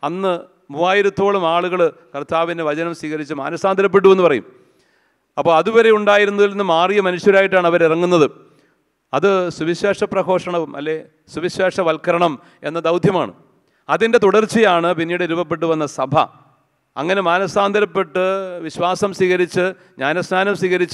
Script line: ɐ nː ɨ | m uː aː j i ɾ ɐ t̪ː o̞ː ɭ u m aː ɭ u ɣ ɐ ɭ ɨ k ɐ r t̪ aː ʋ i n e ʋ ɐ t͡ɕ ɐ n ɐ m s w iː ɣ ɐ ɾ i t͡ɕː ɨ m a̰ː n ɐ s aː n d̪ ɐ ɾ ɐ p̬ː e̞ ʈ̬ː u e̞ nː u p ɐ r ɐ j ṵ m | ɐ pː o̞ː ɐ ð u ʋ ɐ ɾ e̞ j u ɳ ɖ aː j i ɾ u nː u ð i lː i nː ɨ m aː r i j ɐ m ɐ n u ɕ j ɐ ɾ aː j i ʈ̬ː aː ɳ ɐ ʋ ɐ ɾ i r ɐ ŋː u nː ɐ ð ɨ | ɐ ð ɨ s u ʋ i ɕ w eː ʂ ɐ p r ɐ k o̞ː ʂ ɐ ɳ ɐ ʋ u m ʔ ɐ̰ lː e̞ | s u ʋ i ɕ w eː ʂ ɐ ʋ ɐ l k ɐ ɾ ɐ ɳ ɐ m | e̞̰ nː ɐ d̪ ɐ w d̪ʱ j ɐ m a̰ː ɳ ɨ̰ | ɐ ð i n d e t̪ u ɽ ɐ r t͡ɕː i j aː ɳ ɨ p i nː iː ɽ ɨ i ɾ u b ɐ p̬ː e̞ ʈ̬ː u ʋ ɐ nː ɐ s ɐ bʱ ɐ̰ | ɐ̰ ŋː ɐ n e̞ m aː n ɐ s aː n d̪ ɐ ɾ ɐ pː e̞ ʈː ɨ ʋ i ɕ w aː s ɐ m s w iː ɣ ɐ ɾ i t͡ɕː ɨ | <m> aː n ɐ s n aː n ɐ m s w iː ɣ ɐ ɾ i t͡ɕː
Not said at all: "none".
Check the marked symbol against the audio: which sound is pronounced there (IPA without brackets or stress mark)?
ɲ